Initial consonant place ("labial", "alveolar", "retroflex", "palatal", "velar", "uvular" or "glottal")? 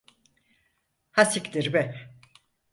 glottal